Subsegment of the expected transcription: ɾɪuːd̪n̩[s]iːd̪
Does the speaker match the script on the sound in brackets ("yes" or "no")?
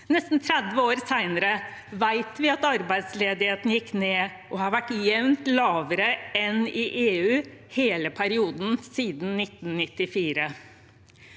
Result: yes